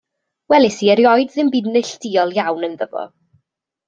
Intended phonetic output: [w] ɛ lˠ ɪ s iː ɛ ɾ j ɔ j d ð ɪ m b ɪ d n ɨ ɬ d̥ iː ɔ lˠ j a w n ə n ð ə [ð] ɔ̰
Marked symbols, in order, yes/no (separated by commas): yes, no